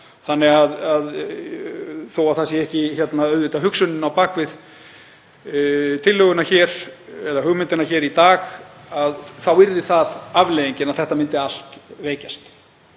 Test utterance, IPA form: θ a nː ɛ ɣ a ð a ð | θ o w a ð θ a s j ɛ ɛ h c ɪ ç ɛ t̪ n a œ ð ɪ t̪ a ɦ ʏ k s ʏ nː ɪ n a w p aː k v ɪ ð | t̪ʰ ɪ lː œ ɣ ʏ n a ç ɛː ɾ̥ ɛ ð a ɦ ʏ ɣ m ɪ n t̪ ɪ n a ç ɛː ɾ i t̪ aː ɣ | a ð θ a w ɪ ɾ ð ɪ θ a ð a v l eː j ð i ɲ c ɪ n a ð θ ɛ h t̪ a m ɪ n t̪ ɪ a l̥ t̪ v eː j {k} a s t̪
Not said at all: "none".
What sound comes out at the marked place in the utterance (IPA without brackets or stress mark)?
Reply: c